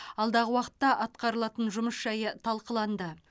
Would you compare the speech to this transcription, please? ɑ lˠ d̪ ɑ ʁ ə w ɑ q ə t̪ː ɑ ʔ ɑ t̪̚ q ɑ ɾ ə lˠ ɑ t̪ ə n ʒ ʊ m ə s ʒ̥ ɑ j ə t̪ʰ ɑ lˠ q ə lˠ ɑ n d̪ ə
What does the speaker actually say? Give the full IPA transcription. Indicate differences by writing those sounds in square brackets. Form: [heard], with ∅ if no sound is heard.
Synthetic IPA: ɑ lˠ d̪ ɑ ʁ ə w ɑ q ə t̪ː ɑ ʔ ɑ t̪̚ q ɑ ɾ ə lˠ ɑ t̪ ə n ʒ ʊ m ə s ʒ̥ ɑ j ə t̪ʰ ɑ lˠ q ə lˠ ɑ n d̪ ə